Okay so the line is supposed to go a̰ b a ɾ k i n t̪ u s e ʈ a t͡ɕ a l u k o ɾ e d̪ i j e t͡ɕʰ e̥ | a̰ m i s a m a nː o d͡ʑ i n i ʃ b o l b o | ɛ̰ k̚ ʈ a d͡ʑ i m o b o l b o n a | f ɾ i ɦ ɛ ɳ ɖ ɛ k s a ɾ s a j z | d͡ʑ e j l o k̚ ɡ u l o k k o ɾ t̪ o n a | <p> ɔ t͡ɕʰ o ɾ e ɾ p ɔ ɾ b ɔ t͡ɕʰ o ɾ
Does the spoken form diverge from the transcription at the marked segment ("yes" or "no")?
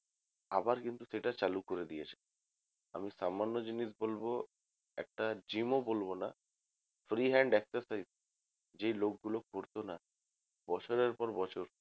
yes